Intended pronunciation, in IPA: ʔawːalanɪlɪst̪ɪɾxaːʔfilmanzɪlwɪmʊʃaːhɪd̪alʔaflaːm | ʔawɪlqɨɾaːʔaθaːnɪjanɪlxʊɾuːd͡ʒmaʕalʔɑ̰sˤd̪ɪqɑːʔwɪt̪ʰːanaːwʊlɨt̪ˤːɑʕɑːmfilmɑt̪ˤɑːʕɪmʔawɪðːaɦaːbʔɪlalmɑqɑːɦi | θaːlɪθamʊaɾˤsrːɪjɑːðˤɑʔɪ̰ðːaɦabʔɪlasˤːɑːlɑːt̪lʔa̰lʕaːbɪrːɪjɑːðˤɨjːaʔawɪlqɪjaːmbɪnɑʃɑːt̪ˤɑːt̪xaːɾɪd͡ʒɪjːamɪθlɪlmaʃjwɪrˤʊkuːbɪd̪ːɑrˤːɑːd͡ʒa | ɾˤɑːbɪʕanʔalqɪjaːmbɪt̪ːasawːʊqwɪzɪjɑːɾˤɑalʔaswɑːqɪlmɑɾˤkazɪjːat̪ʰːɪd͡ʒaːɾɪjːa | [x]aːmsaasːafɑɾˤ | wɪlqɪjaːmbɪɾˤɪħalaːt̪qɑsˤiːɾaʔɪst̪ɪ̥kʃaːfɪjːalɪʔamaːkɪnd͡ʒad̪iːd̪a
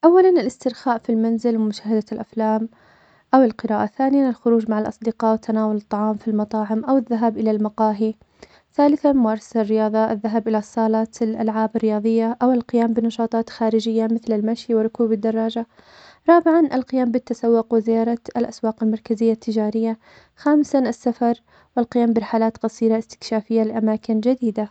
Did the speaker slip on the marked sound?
no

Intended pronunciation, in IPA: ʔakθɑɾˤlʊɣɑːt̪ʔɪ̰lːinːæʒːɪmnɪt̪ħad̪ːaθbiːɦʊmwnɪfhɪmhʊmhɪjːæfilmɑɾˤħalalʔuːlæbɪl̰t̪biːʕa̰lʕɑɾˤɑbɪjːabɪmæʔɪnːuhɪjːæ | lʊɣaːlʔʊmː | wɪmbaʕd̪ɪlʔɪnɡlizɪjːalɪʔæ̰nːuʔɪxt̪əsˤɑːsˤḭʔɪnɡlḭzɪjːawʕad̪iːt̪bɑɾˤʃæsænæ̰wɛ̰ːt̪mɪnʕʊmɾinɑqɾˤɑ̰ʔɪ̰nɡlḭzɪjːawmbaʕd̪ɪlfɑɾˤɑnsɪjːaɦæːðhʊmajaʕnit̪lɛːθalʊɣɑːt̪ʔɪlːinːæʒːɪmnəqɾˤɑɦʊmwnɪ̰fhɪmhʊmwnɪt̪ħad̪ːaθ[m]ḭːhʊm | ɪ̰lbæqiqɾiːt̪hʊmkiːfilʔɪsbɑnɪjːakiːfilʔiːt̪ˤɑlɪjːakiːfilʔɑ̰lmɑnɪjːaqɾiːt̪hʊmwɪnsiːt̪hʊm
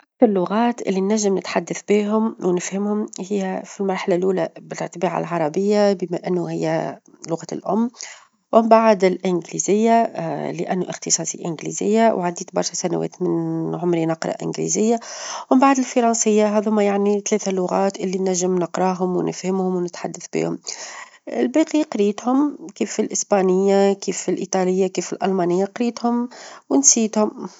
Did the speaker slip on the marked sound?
yes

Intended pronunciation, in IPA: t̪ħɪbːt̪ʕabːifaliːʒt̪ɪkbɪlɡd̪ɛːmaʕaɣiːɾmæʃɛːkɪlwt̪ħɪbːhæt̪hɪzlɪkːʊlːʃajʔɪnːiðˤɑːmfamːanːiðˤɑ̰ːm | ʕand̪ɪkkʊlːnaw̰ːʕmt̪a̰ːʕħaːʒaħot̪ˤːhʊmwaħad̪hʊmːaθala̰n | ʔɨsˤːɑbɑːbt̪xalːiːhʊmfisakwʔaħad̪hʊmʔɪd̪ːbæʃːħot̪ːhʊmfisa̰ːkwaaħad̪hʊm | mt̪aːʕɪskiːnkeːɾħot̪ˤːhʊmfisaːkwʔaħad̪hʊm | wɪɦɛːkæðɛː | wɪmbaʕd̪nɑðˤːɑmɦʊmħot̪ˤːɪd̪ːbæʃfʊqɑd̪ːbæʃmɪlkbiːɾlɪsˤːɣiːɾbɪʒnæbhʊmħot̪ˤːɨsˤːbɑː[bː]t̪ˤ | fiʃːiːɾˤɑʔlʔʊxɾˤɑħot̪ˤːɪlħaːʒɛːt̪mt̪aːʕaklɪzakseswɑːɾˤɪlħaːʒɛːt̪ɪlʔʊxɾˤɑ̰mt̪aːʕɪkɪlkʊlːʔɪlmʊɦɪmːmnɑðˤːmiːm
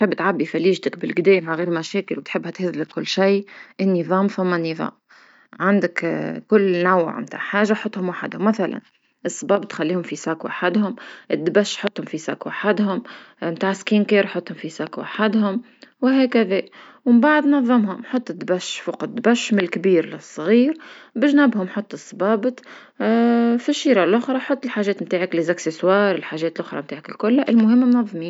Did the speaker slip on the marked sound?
yes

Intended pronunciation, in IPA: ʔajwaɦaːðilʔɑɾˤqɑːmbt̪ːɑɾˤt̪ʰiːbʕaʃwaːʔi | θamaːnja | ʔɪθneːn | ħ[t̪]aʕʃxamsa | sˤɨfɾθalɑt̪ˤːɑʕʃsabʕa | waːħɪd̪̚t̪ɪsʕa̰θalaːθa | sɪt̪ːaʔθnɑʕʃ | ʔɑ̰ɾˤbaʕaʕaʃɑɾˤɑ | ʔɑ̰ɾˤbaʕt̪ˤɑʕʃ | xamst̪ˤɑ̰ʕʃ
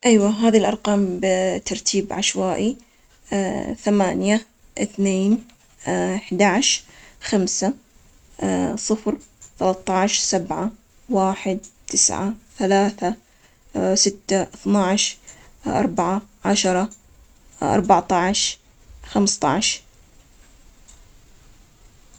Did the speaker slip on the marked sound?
yes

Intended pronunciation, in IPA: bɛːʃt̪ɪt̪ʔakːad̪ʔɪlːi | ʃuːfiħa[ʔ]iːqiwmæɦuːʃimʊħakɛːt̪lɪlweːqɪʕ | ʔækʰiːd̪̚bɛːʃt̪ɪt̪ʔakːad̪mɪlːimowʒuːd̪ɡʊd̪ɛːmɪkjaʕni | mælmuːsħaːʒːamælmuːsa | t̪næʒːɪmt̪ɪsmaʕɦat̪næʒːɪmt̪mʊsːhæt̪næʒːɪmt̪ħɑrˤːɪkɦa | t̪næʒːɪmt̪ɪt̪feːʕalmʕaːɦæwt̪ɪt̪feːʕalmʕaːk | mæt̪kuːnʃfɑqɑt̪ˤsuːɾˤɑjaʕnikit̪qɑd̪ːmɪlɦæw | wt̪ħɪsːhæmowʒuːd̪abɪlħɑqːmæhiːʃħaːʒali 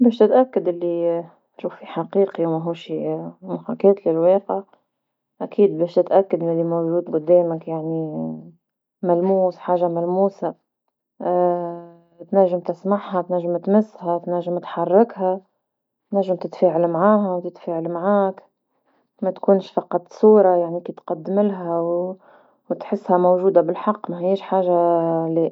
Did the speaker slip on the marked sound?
yes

